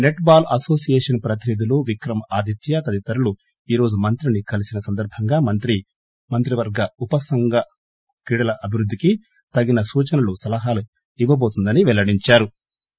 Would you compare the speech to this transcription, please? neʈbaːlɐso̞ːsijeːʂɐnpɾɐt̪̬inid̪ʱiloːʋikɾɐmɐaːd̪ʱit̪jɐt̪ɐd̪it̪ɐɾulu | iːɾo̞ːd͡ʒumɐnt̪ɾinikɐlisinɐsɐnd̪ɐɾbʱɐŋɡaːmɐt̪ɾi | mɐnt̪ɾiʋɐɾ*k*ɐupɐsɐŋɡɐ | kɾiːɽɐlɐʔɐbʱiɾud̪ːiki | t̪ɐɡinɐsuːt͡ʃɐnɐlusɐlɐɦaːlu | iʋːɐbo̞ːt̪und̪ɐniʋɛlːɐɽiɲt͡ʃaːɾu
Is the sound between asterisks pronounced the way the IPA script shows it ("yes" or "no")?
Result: no